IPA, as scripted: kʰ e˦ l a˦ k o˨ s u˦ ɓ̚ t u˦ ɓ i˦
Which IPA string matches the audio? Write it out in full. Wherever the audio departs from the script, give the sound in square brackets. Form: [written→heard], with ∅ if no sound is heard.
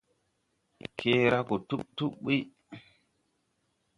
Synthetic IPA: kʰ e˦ [l→ɾ] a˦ k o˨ [s→t] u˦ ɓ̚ t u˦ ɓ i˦